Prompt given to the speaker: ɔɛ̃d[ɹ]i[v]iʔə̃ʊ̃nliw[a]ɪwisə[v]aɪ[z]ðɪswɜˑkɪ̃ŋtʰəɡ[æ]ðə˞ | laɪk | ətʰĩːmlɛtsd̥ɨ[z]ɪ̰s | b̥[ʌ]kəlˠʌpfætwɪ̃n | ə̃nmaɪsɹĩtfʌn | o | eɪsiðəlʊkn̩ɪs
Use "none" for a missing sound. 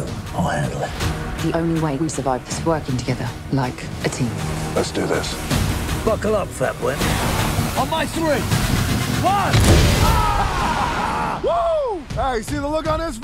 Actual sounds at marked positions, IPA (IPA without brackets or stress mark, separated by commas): l, ð, e, v, v, ɛ, ð, ʌ